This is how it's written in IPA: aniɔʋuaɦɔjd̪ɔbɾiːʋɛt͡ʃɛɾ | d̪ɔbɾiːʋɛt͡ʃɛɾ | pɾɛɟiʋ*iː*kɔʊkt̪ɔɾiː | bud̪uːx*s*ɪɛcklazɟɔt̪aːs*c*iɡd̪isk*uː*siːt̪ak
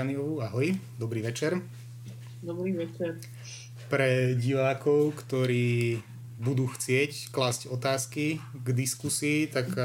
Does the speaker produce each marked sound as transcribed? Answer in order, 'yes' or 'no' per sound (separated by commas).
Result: no, no, no, no